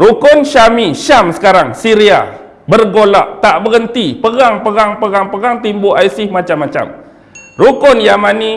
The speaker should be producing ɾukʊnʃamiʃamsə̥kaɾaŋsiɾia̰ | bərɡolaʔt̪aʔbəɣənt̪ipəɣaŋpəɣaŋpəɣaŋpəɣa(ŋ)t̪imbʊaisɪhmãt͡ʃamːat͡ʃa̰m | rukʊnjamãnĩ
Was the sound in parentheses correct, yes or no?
yes